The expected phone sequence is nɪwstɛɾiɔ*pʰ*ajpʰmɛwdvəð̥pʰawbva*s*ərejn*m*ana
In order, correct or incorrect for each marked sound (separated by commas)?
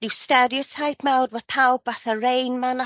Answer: incorrect, incorrect, correct